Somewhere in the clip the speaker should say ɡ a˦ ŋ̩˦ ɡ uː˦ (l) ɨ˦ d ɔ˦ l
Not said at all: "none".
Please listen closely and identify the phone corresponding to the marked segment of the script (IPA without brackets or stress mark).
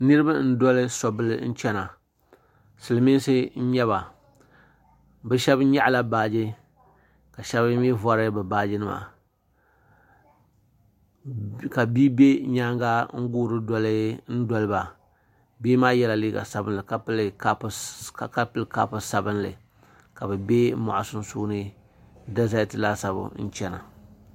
ɾ